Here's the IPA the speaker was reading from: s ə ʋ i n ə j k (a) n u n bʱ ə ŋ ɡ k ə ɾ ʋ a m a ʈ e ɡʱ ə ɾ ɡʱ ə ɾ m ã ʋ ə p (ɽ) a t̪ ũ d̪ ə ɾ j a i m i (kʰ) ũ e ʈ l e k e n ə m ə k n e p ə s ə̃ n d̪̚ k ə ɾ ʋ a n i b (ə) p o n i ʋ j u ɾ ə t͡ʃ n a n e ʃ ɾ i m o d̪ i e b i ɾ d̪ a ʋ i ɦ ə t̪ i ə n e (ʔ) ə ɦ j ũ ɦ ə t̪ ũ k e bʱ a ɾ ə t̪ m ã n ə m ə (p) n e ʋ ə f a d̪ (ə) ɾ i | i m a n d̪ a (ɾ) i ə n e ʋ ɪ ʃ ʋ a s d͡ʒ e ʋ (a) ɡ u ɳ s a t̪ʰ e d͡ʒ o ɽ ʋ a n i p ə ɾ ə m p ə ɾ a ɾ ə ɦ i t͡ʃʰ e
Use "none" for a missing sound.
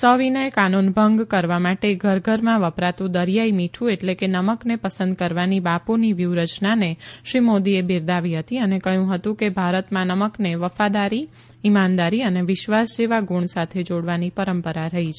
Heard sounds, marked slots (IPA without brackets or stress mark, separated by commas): a, ɾ, ʈʰ, a, k, k, a, ɾ, a